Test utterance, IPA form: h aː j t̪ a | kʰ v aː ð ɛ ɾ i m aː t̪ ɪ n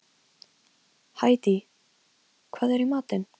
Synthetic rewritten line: h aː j t̪ i | kʰ v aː ð ɛ ɾ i m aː t̪ ɪ n